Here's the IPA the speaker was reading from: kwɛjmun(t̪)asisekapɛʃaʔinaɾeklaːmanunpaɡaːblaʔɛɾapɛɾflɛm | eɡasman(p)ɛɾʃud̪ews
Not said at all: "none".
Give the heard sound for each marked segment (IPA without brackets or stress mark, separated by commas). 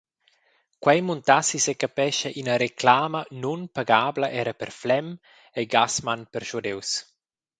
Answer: t̪, p